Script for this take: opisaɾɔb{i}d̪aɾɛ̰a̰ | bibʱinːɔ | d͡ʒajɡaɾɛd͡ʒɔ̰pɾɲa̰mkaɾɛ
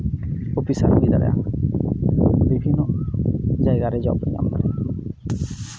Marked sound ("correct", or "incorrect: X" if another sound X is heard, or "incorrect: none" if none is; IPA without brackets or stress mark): correct